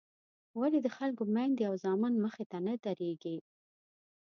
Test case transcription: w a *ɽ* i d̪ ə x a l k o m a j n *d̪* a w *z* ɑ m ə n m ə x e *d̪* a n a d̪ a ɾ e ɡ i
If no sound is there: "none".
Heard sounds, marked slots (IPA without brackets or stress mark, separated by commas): l, d̪, z, t̪